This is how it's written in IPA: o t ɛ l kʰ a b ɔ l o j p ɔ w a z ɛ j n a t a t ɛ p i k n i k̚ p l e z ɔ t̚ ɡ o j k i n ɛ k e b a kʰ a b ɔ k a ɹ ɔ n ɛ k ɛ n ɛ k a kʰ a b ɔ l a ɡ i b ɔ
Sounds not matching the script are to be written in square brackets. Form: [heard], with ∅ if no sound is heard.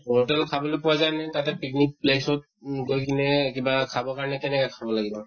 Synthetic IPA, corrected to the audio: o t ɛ l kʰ a b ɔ l o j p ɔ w a z [a] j n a t a t ɛ p i k n i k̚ p l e [s] ɔ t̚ ɡ o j k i n ɛ k [i] b a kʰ a b ɔ k a ɹ ɔ n ɛ k ɛ n ɛ k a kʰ a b ɔ l a ɡ i b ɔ